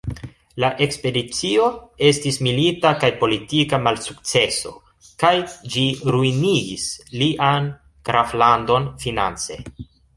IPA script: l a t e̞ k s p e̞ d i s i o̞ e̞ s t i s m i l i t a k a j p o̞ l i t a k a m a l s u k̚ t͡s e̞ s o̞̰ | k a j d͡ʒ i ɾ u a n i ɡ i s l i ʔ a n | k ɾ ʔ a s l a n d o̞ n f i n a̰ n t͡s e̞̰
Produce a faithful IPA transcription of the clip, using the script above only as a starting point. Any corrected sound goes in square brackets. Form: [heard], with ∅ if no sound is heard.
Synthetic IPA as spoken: l a [ʔ] e̞ k s p e̞ d i [t͡s] i o̞ e̞ s t i s m i l i t a k a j p o̞ l i t [i] k a m a l s u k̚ t͡s e̞ s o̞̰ | k a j d͡ʒ i ɾ u [i] n i ɡ i s l i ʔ a n | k ɾ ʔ a [f] l a n d o̞ n f i n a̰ n t͡s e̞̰